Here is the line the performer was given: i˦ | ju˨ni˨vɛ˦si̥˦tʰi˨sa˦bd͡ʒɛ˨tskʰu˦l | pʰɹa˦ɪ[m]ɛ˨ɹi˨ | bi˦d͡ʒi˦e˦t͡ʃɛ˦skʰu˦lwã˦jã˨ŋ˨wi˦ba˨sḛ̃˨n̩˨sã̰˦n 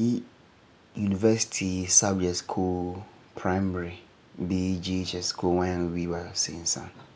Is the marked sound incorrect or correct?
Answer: correct